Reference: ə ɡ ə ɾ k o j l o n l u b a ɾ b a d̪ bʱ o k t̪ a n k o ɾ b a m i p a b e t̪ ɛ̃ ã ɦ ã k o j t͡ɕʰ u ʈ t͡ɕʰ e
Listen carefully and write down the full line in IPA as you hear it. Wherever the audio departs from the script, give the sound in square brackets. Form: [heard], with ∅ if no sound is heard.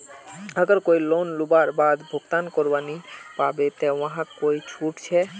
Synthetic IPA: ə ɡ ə ɾ k o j l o n l u b a ɾ b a d̪ bʱ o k t̪ a n k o ɾ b a [n] i p a b e t̪ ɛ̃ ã ɦ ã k o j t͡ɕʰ u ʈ t͡ɕʰ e